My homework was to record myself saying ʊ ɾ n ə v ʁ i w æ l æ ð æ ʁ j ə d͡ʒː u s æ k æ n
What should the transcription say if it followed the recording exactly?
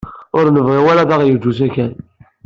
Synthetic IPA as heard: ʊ ɾ n ə v ʁ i w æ l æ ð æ ʁ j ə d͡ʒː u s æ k æ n